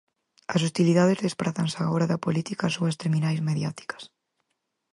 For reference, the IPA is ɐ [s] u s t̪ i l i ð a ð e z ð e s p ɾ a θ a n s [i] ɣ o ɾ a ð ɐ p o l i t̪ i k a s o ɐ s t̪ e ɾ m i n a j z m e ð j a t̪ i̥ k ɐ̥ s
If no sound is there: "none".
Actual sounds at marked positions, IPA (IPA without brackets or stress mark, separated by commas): s, a